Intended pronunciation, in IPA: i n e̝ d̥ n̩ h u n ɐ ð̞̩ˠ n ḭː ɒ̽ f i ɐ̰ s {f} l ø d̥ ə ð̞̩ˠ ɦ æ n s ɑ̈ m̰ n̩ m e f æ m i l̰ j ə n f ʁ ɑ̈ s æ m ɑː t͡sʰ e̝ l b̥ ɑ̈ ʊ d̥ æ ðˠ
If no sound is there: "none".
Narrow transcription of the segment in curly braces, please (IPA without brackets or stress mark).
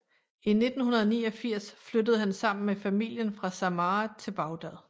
f